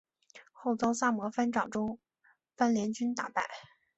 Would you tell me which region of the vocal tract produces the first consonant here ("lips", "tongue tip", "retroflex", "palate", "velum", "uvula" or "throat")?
velum